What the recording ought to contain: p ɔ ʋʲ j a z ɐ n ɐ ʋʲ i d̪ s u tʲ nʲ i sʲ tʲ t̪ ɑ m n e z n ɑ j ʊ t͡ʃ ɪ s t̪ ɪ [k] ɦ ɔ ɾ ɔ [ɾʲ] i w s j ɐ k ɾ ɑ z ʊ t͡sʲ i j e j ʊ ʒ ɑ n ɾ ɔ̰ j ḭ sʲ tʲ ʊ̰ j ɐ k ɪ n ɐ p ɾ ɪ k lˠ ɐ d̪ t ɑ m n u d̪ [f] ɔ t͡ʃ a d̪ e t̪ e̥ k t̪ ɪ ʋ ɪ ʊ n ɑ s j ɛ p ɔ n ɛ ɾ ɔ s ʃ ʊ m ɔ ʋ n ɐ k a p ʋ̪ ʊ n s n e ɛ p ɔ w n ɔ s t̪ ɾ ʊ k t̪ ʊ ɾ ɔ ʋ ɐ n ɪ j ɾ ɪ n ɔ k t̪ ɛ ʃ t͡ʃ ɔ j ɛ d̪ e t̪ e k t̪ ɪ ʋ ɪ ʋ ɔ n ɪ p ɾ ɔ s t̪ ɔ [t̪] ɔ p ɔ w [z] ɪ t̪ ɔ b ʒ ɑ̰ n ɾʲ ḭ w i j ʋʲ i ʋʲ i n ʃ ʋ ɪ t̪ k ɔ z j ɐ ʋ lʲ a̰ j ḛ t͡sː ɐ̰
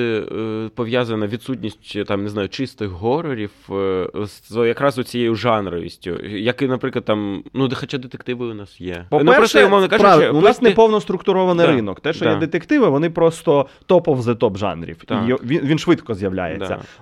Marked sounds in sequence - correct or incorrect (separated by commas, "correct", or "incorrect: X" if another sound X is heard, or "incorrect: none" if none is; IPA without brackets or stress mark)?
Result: incorrect: x, correct, incorrect: x, correct, correct